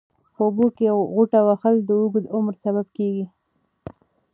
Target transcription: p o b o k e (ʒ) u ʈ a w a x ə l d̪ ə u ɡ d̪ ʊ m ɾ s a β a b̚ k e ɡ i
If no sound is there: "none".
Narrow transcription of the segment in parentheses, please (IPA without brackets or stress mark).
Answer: ɣ